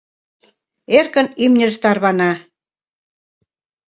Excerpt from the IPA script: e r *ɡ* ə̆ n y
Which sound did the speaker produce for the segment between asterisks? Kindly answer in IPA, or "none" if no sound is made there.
k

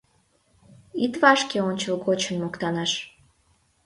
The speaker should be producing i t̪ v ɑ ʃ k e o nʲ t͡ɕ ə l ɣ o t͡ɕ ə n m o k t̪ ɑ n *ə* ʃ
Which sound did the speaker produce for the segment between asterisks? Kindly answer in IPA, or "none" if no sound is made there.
ɑ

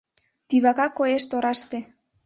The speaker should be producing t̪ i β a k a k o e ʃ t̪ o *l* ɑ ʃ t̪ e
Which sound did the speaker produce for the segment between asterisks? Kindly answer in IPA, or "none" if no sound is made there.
ɾ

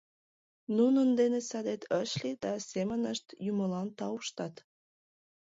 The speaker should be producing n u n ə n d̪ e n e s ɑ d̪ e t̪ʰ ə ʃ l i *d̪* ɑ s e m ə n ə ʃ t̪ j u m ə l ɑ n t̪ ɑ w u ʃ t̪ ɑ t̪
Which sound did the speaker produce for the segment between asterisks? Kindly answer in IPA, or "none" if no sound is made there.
d̪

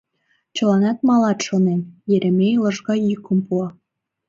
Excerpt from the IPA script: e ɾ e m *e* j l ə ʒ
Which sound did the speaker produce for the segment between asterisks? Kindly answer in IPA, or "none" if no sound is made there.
e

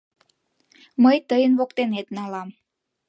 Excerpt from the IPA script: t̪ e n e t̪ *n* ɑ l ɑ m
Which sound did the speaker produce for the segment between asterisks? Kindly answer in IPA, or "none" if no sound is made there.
n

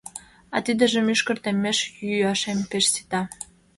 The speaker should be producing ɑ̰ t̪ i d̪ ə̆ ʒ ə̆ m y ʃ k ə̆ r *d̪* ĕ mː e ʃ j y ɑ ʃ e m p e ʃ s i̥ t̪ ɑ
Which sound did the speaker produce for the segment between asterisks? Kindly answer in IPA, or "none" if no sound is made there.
t̪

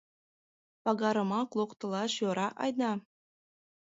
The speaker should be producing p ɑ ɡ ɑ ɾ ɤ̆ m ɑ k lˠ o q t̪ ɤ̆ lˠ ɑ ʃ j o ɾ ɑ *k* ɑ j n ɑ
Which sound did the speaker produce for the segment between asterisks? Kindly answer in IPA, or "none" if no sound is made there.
ʔ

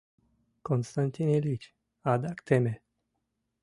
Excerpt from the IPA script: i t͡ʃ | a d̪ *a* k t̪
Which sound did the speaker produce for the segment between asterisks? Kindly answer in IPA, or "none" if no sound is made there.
a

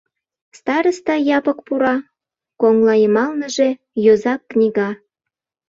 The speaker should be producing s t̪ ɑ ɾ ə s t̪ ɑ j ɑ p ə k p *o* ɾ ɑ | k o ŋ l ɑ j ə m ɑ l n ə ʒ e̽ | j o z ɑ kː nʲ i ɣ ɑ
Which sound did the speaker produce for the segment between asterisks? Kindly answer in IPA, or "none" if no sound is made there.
u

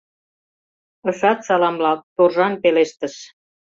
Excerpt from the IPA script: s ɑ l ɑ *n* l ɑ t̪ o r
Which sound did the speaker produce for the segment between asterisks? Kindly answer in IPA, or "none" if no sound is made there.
m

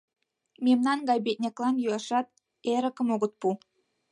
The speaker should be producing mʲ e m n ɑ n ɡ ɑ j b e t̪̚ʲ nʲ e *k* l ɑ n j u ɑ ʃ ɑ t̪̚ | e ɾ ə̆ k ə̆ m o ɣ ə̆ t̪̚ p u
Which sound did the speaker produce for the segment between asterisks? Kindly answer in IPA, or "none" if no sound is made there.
k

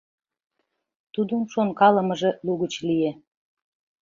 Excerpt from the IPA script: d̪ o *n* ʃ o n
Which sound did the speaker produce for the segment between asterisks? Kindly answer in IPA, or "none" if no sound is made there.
n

